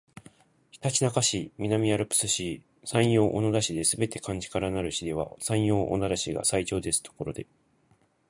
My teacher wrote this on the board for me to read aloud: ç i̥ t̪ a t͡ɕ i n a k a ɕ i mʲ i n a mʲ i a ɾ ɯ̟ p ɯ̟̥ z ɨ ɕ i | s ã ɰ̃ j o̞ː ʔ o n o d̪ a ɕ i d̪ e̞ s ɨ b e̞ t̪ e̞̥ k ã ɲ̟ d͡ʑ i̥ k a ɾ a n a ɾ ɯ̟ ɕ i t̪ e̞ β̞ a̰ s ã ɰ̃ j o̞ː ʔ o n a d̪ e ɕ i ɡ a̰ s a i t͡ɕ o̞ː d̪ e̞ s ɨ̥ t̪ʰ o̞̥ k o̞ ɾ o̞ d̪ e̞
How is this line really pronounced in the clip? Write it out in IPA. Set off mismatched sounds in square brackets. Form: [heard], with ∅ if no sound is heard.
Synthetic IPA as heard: ç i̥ t̪ a t͡ɕ i n a k a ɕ i mʲ i n a mʲ i a ɾ ɯ̟ p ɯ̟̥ [s] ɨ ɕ i | s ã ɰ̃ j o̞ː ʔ o n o d̪ a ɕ i d̪ e̞ s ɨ b e̞ t̪ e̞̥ k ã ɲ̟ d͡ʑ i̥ k a ɾ a n a ɾ ɯ̟ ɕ i [d̪] e̞ β̞ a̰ s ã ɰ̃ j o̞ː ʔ o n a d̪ [a] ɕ i ɡ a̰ s a i t͡ɕ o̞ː d̪ e̞ s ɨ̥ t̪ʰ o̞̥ k o̞ ɾ o̞ d̪ e̞

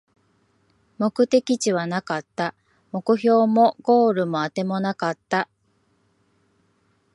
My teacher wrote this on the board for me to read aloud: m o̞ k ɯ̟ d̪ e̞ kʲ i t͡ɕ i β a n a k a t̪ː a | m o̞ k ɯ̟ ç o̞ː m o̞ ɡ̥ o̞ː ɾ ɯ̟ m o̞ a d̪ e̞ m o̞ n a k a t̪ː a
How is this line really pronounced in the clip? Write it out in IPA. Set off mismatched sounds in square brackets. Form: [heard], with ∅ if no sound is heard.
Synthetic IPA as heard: m o̞ k ɯ̟ [t̪] e̞ kʲ i t͡ɕ i β a n a k a t̪ː a | m o̞ k ɯ̟ ç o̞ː m o̞ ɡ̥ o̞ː ɾ ɯ̟ m o̞ a [t̪] e̞ m o̞ n a k a t̪ː a

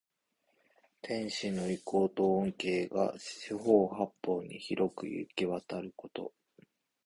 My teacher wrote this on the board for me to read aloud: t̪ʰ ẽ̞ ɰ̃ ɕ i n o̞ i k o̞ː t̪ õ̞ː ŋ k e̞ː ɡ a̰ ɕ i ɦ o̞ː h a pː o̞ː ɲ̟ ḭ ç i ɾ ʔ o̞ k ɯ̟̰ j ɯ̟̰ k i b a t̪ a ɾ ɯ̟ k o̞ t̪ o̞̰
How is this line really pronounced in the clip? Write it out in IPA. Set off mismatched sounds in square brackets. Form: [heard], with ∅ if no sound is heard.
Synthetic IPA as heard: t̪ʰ ẽ̞ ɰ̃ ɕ i n o̞ i k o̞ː t̪ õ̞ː ŋ k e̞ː ɡ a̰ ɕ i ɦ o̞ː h a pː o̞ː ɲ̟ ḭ ç i ɾ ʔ o̞ k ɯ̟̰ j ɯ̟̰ k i [β] a t̪ a ɾ ɯ̟ k o̞ t̪ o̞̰

